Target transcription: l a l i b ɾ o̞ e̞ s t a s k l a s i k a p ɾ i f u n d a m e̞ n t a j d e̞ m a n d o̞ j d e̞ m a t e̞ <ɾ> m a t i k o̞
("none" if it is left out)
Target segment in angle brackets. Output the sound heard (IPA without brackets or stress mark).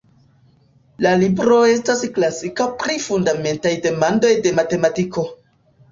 none